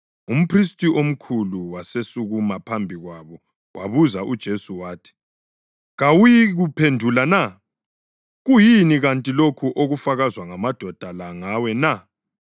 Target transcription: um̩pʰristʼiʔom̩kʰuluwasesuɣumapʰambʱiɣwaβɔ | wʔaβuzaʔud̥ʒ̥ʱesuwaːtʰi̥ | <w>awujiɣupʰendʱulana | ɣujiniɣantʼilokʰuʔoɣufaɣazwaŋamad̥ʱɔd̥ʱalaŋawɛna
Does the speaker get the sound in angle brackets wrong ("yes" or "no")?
yes